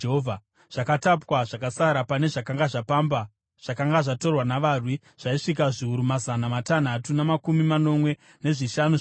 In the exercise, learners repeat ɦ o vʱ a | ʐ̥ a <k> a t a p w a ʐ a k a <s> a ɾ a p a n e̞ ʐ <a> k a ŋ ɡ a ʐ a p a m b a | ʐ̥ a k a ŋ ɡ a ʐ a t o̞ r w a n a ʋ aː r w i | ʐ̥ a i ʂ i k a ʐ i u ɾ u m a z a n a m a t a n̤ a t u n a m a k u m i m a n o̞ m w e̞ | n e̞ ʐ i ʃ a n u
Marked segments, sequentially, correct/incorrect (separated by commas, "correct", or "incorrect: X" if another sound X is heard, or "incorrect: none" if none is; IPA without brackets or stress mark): correct, correct, correct